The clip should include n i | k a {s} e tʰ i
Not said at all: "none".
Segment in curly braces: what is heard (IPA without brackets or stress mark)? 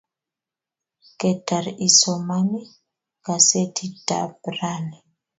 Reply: s